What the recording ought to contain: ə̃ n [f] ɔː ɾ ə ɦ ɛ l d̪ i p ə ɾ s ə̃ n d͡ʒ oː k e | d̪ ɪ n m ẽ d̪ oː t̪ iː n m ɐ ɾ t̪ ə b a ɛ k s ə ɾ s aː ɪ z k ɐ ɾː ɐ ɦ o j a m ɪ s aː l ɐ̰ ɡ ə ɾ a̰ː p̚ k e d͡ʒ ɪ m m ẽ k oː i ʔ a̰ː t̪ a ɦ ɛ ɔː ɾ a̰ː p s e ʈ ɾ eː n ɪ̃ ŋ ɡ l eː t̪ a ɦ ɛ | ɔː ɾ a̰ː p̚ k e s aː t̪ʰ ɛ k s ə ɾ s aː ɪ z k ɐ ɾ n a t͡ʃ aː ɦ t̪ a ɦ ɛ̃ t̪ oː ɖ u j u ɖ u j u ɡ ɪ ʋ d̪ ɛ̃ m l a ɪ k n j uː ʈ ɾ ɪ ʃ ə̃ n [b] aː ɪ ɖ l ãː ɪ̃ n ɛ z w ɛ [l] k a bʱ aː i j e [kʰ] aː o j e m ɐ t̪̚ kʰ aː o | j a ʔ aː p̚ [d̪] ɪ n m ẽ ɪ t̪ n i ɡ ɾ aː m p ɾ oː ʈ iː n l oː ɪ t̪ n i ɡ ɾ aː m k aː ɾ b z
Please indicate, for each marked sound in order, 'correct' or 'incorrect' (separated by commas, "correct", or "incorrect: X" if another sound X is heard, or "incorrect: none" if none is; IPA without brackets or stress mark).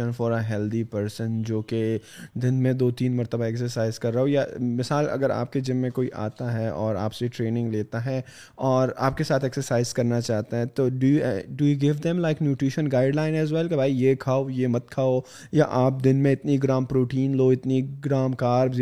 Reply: correct, incorrect: ɡ, correct, correct, correct